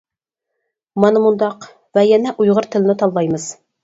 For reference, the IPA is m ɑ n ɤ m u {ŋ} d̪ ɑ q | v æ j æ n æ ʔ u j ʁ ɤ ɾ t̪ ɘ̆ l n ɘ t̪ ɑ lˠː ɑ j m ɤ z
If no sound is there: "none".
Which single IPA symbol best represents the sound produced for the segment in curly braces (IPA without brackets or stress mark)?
n